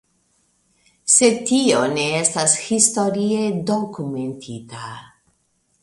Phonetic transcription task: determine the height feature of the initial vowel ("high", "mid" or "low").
mid